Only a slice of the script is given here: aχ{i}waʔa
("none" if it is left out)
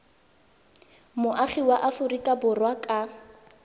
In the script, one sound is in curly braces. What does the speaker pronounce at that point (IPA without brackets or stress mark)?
i